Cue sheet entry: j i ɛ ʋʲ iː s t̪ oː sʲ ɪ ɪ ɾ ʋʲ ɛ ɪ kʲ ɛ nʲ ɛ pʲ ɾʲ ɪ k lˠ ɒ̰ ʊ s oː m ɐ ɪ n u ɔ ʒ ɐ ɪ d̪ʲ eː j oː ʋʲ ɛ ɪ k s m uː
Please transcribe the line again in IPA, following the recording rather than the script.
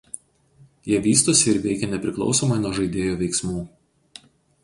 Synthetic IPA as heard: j i ɛ ʋʲ iː s t̪ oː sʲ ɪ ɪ ɾ ʋʲ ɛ ɪ kʲ ɛ nʲ ɛ pʲ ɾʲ ɪ k lˠ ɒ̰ ʊ s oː m ɐ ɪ n u ɔ ʒ ɐ ɪ d̪ʲ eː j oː ʋʲ ɛ ɪ k s m uː